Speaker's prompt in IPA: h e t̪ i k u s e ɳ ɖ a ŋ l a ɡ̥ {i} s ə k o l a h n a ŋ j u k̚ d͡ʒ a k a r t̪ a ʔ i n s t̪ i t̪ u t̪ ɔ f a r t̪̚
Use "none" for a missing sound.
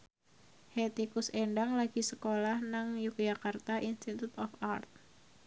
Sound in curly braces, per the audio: i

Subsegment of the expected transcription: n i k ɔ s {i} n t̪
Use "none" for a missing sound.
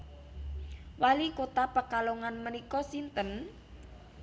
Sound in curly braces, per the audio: i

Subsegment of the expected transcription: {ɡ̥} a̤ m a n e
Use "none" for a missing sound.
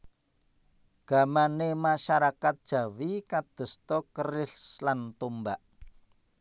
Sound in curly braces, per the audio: ɡ̥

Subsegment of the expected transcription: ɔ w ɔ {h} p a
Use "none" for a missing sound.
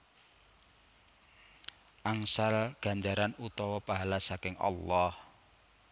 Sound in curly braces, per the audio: none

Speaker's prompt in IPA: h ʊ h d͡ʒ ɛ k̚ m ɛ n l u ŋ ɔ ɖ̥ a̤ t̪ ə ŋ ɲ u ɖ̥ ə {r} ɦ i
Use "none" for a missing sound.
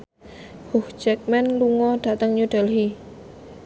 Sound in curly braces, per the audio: l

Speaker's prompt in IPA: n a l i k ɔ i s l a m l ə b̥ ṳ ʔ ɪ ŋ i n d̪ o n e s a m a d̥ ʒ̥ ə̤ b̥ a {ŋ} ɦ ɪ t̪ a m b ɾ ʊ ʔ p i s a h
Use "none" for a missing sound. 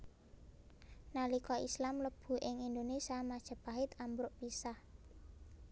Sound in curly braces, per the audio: none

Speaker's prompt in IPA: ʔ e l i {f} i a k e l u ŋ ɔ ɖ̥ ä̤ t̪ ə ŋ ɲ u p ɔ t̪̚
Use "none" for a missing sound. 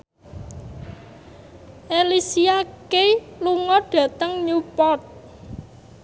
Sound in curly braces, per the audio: s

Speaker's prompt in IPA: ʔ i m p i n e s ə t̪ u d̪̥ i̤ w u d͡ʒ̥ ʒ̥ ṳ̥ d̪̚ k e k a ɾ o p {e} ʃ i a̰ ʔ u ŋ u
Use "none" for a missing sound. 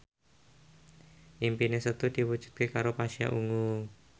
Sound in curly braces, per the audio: a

